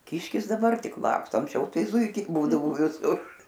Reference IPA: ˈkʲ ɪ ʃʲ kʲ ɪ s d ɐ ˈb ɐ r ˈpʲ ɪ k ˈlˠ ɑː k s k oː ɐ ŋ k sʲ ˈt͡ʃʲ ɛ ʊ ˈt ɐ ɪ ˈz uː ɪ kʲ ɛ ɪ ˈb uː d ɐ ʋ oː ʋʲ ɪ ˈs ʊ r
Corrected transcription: ˈkʲ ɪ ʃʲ kʲ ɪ s d ɐ ˈb ɐ r ˈtʲ ɪ k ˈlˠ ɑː k s t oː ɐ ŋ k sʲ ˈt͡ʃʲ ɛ ʊ ˈt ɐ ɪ ˈz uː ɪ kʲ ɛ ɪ ˈb uː d ɐ ʋ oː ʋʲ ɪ ˈs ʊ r